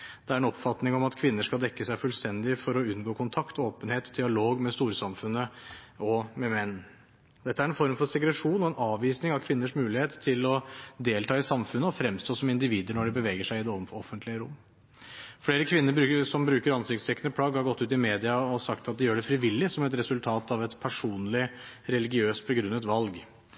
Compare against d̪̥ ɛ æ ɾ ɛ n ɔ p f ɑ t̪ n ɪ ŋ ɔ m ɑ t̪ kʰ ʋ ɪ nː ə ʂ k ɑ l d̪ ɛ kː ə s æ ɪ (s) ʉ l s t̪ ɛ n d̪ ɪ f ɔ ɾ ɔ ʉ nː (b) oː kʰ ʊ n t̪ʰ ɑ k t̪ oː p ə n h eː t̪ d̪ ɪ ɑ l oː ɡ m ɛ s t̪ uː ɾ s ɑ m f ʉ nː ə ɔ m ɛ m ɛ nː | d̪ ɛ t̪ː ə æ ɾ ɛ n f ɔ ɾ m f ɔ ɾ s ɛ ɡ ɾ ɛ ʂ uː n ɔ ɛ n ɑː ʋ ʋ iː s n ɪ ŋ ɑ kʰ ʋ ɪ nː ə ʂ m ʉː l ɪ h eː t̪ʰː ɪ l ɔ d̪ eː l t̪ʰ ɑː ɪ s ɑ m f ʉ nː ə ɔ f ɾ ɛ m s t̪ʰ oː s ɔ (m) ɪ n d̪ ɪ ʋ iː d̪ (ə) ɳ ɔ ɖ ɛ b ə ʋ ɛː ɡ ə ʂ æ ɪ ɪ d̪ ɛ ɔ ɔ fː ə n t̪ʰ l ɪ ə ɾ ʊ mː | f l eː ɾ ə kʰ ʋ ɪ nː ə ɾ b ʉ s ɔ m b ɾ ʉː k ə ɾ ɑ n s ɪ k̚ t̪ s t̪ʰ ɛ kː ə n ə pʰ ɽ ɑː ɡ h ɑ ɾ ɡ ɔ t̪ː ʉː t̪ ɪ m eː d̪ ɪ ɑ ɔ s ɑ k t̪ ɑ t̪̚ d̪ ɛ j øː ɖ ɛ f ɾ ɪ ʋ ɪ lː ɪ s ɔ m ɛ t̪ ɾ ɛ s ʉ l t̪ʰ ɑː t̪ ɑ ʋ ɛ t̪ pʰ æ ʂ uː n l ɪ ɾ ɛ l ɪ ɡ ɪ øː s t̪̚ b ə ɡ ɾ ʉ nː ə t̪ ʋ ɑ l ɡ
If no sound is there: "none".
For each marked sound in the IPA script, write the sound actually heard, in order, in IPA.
f, ɡ, m, ə

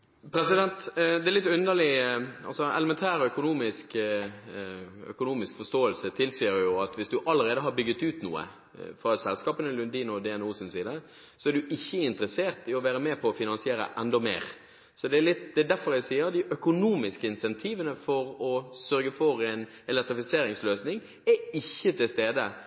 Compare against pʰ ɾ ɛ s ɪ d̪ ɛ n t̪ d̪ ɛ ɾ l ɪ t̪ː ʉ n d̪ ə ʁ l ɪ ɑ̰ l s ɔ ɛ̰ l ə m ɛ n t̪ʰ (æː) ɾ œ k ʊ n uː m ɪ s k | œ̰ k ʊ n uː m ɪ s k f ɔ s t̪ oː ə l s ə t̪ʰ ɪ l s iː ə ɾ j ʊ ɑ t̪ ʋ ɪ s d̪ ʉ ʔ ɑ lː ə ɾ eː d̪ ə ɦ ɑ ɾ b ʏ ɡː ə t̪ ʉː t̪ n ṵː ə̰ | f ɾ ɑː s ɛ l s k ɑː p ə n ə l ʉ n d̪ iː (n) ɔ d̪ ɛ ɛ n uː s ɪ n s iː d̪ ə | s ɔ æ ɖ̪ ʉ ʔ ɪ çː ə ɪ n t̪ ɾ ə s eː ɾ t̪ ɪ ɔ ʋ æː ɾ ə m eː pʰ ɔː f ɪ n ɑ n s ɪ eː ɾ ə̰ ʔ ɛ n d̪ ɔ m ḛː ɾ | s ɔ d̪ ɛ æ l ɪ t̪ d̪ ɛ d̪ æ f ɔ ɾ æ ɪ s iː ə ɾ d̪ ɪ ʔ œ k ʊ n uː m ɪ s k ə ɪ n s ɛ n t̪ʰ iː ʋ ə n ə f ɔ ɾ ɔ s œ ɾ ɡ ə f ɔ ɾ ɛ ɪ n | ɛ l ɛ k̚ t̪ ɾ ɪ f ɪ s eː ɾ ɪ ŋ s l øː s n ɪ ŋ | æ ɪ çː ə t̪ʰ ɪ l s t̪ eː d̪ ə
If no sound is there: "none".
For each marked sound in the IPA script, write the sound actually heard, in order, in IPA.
æː, n

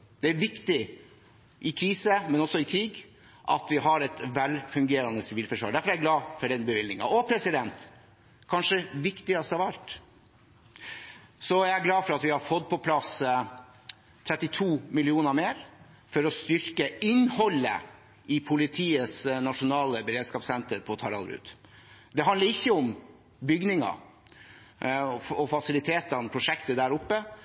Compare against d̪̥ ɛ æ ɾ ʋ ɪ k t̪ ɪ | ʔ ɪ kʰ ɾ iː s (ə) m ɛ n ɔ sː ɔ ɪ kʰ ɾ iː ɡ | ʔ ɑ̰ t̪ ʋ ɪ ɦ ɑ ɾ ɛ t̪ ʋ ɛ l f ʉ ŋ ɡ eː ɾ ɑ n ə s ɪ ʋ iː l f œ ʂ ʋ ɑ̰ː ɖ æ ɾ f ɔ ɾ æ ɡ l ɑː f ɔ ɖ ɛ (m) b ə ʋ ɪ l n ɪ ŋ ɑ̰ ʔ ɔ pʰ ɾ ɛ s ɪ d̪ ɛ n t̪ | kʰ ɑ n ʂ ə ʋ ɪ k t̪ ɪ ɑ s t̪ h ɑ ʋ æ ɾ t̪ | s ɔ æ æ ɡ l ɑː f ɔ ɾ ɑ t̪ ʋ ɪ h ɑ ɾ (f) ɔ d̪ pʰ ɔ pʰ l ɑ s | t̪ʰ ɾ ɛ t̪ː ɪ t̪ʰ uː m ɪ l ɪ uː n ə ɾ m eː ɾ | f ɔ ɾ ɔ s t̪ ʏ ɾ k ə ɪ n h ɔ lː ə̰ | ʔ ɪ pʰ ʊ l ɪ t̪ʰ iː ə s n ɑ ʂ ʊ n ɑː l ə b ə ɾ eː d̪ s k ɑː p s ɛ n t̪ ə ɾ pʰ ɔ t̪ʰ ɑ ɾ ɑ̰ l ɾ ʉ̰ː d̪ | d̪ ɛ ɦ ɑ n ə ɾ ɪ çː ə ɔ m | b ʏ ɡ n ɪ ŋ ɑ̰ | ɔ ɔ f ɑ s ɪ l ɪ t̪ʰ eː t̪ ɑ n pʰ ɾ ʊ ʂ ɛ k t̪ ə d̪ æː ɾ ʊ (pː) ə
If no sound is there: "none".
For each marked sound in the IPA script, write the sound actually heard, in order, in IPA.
ə, n, f, pː

